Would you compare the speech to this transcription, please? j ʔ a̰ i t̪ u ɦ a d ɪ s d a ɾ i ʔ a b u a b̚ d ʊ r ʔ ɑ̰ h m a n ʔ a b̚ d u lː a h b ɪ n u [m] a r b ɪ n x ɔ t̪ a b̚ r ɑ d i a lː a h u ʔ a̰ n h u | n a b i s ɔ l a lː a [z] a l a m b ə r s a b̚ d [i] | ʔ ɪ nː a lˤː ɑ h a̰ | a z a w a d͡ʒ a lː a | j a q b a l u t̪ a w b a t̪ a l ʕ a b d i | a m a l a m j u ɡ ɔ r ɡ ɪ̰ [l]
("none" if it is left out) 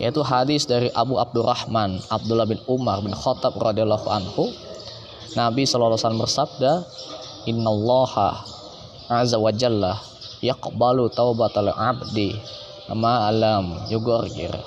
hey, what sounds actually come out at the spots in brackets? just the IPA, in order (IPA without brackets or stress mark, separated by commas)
m, s, a, r